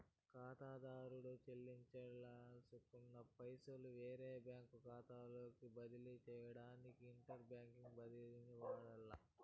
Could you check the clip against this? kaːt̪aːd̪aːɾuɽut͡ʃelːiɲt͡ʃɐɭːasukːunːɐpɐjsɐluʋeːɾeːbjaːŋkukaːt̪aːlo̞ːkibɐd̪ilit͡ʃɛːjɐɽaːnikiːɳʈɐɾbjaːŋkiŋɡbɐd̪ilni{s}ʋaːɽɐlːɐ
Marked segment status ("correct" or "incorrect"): incorrect